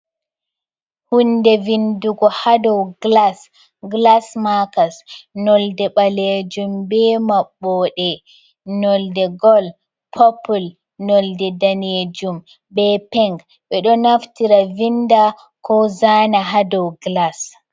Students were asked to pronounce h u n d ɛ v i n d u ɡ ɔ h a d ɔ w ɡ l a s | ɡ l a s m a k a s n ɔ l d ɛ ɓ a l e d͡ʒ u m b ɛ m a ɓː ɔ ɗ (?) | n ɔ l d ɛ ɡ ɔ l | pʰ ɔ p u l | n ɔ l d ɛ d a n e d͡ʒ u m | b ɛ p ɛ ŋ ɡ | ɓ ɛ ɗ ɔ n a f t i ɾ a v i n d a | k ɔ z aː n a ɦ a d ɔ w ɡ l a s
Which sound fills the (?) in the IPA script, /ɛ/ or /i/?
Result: ɛ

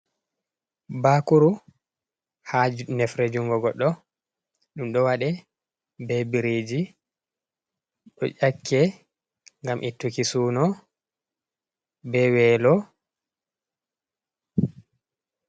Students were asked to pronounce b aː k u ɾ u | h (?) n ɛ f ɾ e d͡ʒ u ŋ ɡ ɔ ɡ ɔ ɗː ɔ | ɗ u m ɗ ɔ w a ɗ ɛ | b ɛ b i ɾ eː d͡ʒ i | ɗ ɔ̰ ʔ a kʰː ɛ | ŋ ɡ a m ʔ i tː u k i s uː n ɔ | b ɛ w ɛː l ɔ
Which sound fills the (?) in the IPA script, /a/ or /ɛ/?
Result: a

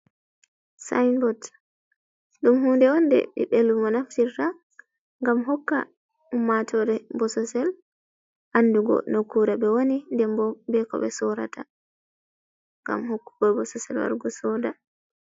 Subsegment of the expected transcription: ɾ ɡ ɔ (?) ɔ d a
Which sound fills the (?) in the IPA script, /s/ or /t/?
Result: s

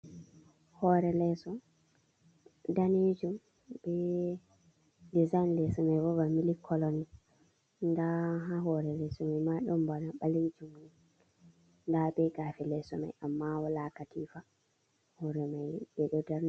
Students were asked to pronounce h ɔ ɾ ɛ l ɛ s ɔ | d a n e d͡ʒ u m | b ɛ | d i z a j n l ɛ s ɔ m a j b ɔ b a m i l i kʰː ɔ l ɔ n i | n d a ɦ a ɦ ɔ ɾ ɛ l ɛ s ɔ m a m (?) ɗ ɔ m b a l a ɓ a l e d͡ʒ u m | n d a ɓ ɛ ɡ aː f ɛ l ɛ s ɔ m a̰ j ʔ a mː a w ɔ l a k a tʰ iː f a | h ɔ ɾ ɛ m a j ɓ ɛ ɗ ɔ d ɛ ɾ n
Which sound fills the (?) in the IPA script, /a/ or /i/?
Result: a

